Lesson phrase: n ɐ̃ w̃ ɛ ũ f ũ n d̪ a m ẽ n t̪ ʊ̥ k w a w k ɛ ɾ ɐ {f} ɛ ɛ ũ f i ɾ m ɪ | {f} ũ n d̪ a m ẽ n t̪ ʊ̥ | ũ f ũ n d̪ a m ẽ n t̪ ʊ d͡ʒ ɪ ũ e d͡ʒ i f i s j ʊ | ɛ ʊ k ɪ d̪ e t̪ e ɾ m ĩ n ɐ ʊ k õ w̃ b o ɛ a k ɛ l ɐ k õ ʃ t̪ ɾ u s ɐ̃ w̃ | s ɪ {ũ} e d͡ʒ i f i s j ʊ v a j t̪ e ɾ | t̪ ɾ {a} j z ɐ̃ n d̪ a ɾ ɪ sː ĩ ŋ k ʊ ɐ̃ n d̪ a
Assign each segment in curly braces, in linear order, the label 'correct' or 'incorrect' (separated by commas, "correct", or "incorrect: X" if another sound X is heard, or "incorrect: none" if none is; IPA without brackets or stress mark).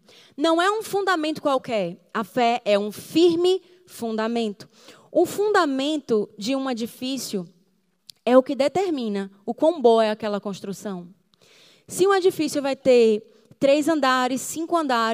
correct, correct, correct, incorrect: e